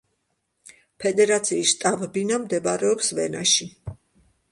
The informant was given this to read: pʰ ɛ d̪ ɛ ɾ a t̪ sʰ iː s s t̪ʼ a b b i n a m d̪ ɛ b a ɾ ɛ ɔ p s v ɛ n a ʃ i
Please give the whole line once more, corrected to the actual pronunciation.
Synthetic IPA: pʰ ɛ d̪ ɛ ɾ a t̪ sʰ iː s ʃ t̪ʼ a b b i n a m d̪ ɛ b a ɾ ɛ ɔ p s v ɛ n a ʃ i